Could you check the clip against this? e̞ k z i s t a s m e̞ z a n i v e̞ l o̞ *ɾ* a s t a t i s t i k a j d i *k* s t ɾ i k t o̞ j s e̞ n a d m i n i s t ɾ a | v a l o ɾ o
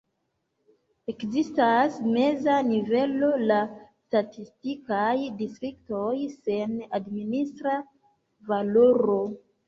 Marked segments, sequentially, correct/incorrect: incorrect, incorrect

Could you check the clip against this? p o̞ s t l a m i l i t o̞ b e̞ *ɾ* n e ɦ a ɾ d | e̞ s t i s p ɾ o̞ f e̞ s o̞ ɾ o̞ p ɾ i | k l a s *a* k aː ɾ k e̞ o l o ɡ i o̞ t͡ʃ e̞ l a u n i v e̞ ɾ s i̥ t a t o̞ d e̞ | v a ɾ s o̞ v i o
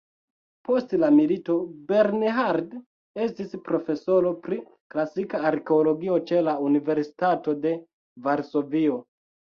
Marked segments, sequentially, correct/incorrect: correct, incorrect

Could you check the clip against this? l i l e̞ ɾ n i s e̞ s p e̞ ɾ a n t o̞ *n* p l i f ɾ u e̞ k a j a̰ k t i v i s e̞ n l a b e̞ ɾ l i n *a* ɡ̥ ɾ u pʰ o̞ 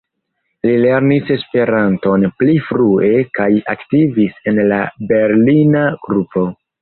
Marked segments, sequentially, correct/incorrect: correct, correct

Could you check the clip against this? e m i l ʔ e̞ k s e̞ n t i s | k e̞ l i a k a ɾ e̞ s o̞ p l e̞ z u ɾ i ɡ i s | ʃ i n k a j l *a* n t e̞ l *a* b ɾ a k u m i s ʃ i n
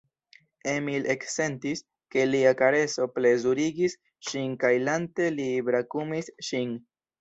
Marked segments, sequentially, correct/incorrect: correct, incorrect

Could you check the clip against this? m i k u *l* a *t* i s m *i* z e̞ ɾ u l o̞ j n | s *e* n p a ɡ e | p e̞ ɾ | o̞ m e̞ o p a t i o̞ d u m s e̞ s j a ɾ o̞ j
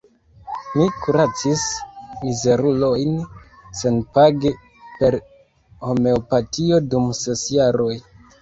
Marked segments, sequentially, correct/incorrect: incorrect, incorrect, correct, correct

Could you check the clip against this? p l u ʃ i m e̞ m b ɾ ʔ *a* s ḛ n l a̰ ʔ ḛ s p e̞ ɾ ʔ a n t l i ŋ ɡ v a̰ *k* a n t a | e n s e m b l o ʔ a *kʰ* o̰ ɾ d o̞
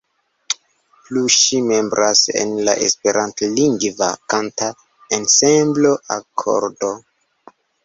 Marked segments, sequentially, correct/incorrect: correct, correct, correct

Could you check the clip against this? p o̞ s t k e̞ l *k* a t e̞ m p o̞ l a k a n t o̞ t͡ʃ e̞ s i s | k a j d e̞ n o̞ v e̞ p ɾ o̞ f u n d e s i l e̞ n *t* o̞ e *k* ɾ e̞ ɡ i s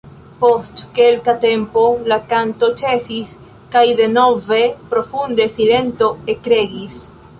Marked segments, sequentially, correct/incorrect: correct, correct, correct

